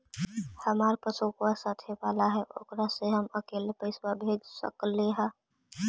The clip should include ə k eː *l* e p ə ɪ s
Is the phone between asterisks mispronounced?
no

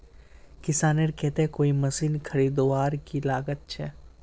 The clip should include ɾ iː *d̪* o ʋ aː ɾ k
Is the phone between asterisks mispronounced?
no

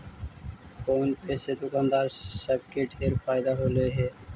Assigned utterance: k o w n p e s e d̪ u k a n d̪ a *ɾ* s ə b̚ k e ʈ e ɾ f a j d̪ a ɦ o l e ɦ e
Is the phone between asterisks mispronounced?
no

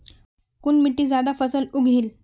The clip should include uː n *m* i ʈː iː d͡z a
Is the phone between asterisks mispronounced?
no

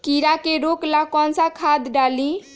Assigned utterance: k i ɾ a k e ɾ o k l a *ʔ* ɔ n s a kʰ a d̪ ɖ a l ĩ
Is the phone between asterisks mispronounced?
yes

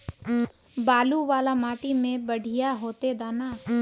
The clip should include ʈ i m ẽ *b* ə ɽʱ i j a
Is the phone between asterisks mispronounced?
no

